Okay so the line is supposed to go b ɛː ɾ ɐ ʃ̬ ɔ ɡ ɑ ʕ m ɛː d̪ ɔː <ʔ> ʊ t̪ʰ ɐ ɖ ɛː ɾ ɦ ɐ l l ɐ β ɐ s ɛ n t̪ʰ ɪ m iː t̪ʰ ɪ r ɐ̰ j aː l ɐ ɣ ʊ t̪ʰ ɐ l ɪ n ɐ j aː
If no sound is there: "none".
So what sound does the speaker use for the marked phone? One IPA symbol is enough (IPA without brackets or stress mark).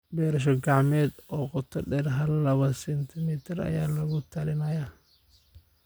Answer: q